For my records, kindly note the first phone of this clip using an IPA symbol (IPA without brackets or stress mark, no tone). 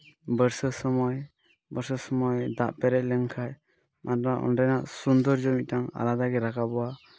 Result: b